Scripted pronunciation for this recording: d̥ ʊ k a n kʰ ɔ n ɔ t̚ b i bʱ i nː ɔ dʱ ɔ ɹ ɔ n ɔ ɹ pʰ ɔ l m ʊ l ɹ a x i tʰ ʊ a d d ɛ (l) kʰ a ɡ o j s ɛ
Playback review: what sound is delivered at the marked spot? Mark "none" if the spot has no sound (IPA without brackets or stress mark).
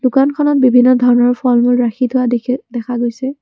none